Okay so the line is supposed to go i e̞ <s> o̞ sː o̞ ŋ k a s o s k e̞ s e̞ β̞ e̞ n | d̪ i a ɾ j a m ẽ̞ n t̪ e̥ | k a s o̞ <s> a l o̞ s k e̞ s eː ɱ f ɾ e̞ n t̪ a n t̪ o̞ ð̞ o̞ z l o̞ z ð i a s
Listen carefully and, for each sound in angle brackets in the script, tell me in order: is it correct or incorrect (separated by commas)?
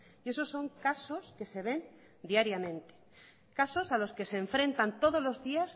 correct, correct